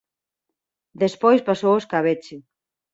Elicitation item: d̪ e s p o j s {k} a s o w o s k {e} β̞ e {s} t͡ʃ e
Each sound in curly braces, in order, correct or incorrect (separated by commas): incorrect, incorrect, incorrect